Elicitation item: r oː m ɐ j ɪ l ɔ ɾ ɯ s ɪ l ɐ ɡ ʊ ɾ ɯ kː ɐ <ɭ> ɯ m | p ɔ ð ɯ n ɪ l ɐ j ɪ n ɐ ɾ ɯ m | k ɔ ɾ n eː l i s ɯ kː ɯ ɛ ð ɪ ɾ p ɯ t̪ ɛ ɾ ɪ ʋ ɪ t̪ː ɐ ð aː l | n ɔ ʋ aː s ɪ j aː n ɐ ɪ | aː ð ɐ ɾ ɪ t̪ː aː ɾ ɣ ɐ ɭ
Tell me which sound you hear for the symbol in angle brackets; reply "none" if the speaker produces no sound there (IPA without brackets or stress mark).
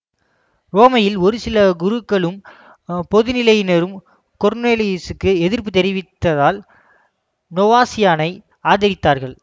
ɭ